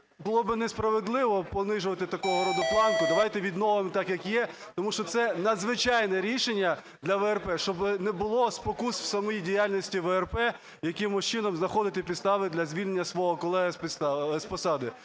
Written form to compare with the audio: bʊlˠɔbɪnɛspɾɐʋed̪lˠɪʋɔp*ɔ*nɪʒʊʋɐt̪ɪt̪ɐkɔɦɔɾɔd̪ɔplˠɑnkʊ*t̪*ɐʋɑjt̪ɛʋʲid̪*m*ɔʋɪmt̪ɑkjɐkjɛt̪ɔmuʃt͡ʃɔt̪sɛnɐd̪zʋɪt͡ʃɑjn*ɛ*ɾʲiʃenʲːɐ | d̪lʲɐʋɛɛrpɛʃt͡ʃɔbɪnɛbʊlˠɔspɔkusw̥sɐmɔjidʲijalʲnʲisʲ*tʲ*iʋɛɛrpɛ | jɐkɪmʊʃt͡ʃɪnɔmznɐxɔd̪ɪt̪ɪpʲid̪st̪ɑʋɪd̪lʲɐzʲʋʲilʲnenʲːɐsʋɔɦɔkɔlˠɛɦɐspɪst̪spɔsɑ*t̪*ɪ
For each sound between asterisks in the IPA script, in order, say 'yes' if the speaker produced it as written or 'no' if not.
yes, no, no, yes, yes, no

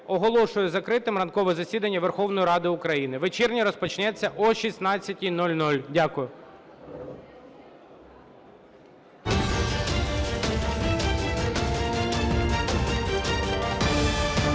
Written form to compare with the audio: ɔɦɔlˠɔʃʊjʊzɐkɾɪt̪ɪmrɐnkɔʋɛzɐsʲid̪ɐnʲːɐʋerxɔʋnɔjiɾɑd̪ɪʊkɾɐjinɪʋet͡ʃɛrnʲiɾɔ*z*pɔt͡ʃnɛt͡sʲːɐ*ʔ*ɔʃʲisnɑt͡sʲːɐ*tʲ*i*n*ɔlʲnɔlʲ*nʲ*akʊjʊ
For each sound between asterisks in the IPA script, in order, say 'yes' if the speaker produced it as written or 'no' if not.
no, yes, yes, yes, no

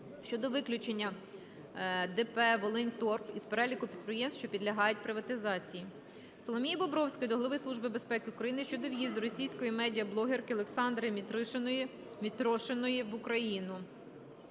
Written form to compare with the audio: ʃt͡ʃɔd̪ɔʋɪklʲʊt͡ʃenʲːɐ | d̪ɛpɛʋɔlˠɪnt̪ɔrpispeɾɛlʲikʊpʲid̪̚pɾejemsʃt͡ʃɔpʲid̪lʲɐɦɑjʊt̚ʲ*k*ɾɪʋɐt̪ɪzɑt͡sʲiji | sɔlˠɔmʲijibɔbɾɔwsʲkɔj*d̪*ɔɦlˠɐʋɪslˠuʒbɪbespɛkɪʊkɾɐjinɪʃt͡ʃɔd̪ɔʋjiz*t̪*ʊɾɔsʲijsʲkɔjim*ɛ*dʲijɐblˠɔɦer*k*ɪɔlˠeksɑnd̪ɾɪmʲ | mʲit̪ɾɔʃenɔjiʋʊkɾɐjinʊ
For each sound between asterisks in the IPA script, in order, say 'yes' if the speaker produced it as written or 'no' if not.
no, yes, no, yes, yes

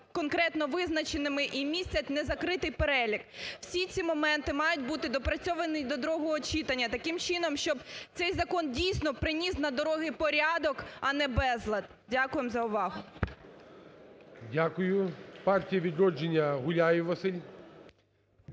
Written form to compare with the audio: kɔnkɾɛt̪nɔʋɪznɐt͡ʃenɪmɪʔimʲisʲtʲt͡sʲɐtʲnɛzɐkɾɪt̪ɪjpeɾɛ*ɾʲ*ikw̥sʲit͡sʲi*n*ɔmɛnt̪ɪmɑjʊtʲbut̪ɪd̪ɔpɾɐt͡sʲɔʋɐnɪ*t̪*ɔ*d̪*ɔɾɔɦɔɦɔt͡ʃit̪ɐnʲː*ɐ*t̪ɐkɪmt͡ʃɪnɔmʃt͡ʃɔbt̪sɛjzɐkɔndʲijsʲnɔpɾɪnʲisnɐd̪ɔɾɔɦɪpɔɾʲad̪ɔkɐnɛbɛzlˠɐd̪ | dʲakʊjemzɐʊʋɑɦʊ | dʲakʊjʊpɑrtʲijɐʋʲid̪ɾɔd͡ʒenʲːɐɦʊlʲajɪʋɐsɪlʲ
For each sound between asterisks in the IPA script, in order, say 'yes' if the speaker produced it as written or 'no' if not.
no, no, no, yes, yes

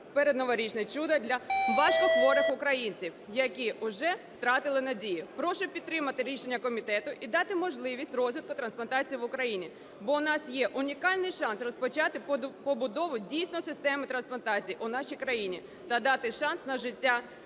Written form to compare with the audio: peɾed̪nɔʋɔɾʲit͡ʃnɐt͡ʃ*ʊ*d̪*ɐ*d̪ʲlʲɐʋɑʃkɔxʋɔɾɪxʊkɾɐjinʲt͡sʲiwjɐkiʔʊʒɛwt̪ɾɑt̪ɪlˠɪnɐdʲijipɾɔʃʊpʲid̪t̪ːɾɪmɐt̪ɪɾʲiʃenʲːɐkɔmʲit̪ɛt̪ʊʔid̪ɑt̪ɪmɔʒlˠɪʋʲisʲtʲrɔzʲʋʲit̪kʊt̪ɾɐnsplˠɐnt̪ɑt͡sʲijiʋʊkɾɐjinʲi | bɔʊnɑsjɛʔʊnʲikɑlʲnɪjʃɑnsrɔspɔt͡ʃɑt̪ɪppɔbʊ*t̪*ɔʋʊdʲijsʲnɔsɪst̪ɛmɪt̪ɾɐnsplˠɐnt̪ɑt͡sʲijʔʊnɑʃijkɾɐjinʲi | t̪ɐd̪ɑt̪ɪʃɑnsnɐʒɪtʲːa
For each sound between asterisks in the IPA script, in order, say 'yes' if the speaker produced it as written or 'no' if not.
no, yes, no

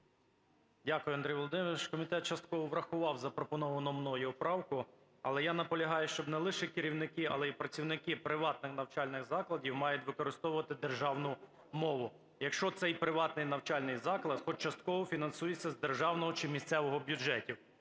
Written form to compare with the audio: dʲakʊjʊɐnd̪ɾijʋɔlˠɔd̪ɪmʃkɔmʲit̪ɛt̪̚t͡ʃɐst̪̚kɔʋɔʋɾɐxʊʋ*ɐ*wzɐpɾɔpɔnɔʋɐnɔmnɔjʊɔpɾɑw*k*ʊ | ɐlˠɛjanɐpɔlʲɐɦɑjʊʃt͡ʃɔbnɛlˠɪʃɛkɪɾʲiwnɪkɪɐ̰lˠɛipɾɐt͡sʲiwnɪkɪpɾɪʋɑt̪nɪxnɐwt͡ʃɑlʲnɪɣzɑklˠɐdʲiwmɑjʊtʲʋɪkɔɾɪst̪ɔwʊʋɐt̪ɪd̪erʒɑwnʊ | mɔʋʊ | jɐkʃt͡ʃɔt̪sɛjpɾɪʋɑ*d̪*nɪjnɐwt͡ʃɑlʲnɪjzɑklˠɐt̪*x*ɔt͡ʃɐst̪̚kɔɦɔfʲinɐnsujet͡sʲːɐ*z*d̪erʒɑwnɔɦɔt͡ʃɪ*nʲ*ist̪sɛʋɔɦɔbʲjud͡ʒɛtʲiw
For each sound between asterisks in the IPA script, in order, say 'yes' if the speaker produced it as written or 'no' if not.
no, yes, no, yes, yes, no

